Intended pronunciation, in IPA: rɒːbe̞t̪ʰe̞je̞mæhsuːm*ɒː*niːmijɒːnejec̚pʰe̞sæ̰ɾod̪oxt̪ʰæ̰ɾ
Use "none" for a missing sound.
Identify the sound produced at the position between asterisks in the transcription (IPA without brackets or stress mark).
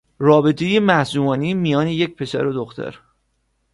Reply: ɒː